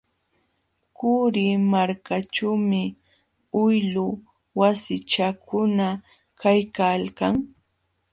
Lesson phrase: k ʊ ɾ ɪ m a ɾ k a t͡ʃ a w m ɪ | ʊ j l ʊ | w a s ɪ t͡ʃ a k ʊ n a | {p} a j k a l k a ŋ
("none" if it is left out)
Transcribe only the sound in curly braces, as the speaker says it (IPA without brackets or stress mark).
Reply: k